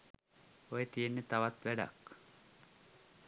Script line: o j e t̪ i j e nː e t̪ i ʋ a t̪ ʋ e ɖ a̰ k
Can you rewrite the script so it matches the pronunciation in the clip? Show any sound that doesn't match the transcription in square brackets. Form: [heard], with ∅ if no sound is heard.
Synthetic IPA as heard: o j e t̪ i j e nː e t̪ [a] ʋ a t̪ ʋ [æ] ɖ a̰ k